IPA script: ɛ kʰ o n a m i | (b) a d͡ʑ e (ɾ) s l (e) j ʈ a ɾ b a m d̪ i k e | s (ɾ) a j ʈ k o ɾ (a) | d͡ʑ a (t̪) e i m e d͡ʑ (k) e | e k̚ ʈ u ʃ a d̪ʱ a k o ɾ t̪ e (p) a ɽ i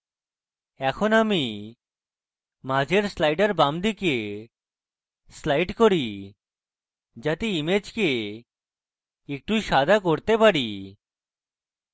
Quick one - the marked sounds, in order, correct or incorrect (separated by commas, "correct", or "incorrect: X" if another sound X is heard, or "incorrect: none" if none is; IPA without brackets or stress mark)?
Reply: incorrect: m, correct, incorrect: a, incorrect: l, incorrect: i, correct, correct, correct